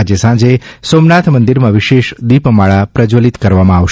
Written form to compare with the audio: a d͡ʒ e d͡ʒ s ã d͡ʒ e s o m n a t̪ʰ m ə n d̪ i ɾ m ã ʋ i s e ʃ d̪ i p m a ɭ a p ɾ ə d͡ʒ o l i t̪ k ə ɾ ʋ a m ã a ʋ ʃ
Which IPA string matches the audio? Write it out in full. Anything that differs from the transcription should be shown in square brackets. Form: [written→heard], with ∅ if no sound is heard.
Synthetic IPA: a d͡ʒ e [d͡ʒ→∅] s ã d͡ʒ e s o m n a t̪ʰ m ə n d̪ i ɾ m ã ʋ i [s→ʃ] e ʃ d̪ i p m a ɭ a p ɾ ə d͡ʒ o l i t̪ k ə ɾ ʋ a m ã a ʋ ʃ